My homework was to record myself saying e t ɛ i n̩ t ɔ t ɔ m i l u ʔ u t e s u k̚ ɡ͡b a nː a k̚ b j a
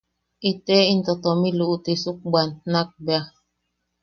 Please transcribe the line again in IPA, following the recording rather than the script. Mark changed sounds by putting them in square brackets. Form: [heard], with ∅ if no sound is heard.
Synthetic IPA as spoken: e t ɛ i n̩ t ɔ t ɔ m i l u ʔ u t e s u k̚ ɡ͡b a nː a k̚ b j a